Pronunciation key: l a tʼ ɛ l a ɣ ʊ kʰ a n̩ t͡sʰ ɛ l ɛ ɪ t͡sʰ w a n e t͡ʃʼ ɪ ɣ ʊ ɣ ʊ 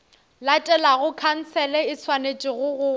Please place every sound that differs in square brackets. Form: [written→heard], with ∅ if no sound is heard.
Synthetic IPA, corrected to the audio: l a tʼ ɛ l a ɣ ʊ kʰ a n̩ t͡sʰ ɛ l ɛ ɪ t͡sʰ w a n e t͡ʃʼ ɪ ɣ ʊ ɣ ʊ